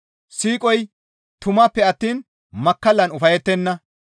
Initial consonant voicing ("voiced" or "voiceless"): voiceless